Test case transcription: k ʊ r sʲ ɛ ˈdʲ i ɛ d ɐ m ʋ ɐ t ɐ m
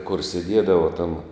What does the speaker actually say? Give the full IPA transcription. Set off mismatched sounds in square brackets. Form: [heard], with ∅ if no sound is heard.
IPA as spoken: k ʊ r sʲ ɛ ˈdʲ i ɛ d ɐ [∅] ʋ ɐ t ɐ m